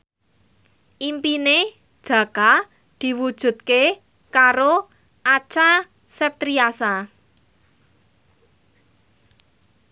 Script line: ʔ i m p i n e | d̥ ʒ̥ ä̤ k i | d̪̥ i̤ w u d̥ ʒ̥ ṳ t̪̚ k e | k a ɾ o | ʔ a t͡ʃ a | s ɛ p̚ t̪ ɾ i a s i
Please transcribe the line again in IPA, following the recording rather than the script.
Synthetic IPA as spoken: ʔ i m p i n e | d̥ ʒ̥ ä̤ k a | d̪̥ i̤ w u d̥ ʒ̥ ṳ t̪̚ k e | k a ɾ o | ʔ a t͡ʃ a | s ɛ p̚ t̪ ɾ i a s a